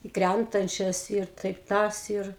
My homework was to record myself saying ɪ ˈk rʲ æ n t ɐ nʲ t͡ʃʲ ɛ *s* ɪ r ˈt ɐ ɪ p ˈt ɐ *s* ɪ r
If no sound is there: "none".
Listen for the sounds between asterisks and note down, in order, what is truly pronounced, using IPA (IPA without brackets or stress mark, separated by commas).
s, s